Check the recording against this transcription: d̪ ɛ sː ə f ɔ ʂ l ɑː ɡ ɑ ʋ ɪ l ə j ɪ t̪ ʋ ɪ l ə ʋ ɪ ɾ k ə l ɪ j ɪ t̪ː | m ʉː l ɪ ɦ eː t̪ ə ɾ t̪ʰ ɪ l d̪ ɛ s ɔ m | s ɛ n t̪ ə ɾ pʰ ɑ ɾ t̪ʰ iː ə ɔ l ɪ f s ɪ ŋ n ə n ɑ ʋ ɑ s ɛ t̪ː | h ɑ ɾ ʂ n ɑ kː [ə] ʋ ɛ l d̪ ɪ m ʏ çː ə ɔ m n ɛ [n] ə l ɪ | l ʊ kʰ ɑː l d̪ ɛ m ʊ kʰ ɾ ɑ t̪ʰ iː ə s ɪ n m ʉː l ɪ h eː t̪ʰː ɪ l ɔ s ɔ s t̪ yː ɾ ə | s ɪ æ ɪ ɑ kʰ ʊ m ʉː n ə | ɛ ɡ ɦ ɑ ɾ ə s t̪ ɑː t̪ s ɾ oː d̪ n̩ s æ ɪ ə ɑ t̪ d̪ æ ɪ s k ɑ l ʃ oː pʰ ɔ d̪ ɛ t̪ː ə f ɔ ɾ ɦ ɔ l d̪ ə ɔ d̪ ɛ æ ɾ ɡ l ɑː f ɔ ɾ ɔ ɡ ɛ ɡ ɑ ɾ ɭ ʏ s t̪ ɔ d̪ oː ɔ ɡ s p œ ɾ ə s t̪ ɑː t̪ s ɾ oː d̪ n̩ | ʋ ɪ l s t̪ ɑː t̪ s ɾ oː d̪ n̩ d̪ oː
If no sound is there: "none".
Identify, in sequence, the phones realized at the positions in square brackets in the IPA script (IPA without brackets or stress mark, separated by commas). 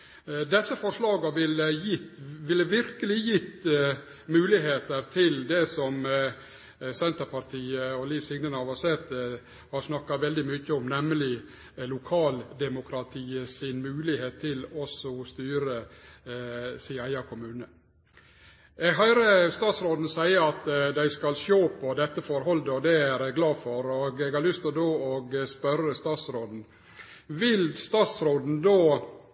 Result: ɑ, m